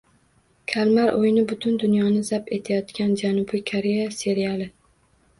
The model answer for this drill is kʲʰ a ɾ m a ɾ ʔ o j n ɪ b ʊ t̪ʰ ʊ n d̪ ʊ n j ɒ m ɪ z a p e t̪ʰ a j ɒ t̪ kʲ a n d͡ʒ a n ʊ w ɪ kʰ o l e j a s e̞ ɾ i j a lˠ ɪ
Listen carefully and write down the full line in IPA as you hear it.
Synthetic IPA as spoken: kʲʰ a l m a ɾ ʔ o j n ɪ b ʊ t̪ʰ ʊ n d̪ ʊ n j ɒ n ɪ z a p e t̪ʰ a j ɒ t̪ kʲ a n d͡ʒ a n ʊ b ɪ kʰ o ɾ e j a s e̞ ɾ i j a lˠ ɪ